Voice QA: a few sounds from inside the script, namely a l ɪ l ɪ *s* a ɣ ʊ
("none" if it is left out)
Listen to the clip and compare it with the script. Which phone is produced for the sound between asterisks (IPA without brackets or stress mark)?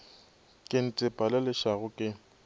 ʃ